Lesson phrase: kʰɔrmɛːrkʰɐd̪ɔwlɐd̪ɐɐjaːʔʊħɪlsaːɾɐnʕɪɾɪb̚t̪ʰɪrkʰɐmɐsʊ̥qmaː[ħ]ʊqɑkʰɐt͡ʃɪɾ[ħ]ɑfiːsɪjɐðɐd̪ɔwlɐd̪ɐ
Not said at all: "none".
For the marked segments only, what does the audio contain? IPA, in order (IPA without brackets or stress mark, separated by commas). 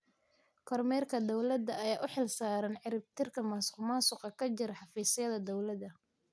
s, ħ